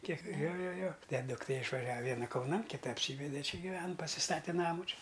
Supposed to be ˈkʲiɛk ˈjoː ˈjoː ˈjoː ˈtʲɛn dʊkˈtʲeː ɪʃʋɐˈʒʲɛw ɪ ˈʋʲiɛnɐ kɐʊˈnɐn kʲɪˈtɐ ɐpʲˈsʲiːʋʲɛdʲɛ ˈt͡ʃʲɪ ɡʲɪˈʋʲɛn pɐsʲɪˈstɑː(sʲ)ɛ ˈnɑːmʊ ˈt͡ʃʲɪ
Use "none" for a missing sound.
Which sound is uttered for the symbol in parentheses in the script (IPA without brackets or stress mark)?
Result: tʲ